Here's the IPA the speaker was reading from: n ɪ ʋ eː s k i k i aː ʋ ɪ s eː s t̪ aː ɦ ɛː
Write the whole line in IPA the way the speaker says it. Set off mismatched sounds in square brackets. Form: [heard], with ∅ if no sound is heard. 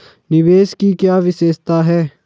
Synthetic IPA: n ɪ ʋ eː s k i k [j] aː ʋ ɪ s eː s t̪ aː ɦ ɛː